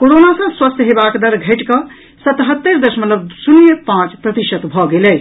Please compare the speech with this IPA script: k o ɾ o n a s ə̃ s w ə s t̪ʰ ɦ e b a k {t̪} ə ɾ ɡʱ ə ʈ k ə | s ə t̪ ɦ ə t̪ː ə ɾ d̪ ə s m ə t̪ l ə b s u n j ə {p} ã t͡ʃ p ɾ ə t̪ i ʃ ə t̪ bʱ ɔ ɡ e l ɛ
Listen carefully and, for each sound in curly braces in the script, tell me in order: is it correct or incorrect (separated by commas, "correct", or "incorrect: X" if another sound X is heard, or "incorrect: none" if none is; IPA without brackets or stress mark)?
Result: incorrect: d̪, correct